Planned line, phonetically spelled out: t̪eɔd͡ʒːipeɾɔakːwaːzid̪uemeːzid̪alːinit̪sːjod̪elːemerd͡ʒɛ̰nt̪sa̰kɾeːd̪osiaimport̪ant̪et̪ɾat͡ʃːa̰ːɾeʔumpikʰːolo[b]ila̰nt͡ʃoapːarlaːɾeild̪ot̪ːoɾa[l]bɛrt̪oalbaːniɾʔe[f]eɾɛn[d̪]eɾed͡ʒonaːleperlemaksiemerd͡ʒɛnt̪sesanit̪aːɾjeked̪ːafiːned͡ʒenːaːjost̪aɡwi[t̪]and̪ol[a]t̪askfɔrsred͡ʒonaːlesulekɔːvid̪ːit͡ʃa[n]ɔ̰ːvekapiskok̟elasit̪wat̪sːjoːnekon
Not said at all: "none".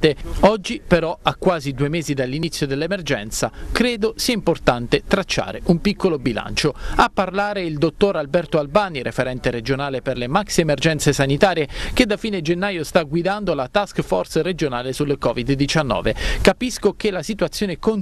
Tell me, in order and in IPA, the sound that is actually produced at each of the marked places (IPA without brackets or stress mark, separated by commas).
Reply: b, l, f, t̪, d̪, a, nː